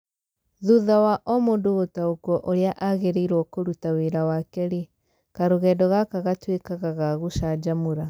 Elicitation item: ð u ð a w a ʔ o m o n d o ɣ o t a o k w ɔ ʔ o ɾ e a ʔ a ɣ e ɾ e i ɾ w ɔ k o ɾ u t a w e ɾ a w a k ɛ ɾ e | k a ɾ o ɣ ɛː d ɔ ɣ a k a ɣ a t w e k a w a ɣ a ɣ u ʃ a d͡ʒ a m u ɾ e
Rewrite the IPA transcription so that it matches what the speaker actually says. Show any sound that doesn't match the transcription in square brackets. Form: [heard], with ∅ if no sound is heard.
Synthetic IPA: ð u ð a w a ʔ [ɔ] m o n d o ɣ o t a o k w ɔ ʔ o ɾ e a ʔ a ɣ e ɾ e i ɾ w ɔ k o ɾ u t a w e ɾ a w a k ɛ ɾ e | k a ɾ o ɣ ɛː d ɔ ɣ a k a ɣ a t w e k a [ɣ] a ɣ a ɣ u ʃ a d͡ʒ a m u ɾ [a]